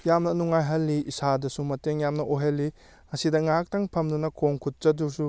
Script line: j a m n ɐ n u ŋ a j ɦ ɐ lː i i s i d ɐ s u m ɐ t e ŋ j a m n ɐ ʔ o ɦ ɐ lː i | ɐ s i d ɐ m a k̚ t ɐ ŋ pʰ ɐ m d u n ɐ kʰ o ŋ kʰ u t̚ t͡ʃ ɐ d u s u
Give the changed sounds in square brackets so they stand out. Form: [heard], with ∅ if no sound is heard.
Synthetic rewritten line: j a m n ɐ n u ŋ a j ɦ ɐ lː i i s [a] d ɐ s u m ɐ t e ŋ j a m n ɐ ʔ o ɦ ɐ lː i | ɐ s i d ɐ [ŋ] a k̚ t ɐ ŋ pʰ ɐ m d u n ɐ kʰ o ŋ kʰ u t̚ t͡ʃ ɐ d u s u